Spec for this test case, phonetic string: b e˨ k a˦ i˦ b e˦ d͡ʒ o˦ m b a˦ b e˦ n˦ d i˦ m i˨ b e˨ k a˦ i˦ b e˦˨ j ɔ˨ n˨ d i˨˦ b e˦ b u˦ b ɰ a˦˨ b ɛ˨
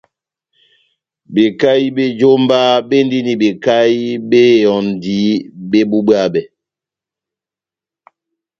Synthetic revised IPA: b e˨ k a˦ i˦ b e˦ d͡ʒ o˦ m b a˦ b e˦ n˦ d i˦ n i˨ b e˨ k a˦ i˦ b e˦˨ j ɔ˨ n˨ d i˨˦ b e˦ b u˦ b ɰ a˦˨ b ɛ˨

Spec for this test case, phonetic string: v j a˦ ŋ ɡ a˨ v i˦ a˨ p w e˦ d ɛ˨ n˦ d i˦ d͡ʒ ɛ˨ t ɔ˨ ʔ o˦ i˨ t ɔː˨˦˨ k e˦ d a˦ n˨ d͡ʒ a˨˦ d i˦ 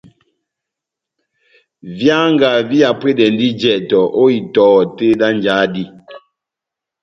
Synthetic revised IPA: v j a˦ ŋ ɡ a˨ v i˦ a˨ p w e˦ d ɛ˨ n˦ d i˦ d͡ʒ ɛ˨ t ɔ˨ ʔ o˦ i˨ t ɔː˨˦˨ t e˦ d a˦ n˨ d͡ʒ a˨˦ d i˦

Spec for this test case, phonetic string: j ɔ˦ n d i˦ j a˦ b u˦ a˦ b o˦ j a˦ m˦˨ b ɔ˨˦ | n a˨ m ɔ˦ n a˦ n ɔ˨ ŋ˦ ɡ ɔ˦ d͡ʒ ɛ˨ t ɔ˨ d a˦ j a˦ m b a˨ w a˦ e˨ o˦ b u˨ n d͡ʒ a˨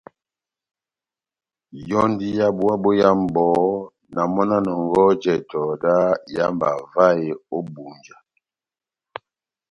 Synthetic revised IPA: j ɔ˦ n d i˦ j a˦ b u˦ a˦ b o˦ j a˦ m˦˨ b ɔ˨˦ | n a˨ m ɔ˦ n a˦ n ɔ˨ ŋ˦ ɡ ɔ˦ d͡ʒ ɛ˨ t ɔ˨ d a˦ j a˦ m b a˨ v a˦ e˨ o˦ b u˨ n d͡ʒ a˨

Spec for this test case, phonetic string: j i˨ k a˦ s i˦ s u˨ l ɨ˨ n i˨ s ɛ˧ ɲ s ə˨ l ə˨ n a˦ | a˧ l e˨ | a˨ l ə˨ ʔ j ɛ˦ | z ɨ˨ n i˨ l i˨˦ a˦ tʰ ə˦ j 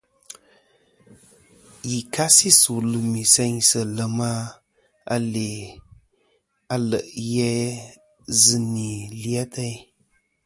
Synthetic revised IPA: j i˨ k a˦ s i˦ s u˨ l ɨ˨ m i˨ s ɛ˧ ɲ s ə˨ l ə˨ m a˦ | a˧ l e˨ | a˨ l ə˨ ʔ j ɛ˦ | z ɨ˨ n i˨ l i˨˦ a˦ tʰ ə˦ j

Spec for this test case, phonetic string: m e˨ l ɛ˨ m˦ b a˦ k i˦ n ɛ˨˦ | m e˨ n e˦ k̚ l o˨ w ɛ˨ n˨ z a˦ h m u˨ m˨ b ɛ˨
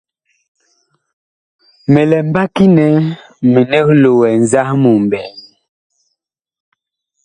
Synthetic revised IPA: m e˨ l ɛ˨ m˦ b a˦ k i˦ n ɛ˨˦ | m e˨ n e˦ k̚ l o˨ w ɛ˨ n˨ z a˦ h m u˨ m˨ b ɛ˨

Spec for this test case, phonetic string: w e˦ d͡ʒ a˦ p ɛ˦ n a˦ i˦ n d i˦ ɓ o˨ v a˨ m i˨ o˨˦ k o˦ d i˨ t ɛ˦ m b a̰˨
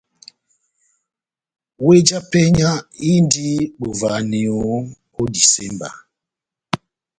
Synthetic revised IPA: w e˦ d͡ʒ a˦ p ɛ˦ ɲ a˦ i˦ n d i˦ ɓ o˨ v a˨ n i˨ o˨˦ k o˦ d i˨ s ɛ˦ m b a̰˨

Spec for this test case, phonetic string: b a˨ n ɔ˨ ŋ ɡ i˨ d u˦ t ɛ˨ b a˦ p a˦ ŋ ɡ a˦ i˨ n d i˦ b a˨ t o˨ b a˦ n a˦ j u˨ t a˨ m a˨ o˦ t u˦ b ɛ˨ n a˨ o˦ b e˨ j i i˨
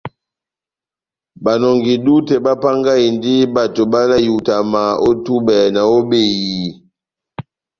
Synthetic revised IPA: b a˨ n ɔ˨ ŋ ɡ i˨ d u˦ t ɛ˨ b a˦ p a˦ ŋ ɡ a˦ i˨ n d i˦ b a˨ t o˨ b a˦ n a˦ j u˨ t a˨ m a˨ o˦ t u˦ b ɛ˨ n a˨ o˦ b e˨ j i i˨

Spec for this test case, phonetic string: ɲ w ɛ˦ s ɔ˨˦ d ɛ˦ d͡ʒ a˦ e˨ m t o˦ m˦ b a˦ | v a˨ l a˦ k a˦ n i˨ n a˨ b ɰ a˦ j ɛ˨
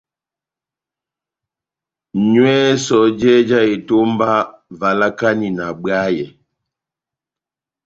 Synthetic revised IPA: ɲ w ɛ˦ s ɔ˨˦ d͡ʒ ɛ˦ d͡ʒ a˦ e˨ t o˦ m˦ b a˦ | v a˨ l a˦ k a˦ n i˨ n a˨ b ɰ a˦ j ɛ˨

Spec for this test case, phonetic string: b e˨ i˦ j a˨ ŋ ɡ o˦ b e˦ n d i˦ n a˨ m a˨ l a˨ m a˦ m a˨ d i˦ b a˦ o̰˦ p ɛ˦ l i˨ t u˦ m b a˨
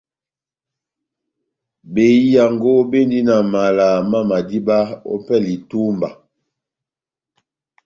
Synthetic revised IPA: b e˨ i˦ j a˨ ŋ ɡ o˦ b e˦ n d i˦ n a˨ m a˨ l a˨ m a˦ m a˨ d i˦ b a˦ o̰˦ p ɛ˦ l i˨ t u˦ m b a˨

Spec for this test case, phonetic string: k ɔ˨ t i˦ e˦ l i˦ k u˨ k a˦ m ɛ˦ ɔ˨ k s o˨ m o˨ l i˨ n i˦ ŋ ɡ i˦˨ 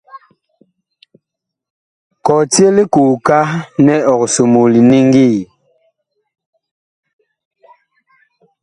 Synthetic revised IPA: k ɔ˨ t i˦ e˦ l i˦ k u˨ k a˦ n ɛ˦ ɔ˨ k s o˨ m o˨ l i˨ n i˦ ŋ ɡ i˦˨

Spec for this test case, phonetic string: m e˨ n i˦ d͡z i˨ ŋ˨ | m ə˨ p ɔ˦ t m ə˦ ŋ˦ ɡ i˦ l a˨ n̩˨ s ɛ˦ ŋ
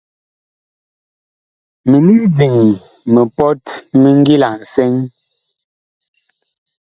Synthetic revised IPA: m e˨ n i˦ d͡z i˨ ŋ˨ | m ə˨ p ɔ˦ t m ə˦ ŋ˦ ɡ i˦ l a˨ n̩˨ s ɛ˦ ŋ

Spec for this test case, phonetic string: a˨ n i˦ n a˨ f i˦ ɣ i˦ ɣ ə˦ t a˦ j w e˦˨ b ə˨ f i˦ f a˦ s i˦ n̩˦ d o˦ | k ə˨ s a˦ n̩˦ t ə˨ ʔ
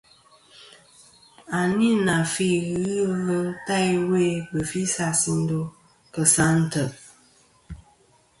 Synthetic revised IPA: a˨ n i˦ n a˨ f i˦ ɣ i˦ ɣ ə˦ t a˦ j w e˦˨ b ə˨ f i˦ s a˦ s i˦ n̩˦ d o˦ | k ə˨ s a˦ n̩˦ t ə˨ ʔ

